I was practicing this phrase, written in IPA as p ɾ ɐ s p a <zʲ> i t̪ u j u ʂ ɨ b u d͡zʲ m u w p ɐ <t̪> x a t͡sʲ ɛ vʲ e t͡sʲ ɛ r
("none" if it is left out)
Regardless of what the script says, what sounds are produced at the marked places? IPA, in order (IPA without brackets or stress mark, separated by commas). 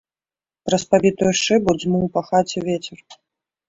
vʲ, none